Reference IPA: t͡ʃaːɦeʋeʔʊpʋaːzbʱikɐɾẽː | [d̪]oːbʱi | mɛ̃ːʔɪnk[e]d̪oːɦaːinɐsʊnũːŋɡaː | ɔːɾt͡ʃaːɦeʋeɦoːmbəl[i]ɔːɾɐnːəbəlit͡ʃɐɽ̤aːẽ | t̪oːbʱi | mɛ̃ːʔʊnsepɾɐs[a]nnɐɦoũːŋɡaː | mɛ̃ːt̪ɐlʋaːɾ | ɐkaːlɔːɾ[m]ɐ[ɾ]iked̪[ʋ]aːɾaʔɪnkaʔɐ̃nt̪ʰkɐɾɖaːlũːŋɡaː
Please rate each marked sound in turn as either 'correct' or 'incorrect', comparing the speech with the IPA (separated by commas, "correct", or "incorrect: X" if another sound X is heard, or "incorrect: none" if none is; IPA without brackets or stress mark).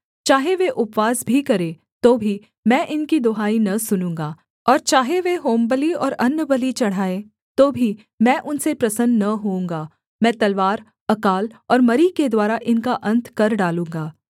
incorrect: t̪, incorrect: i, correct, incorrect: ə, correct, correct, incorrect: w